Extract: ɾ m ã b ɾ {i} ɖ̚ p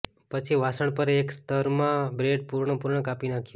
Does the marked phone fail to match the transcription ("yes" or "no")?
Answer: yes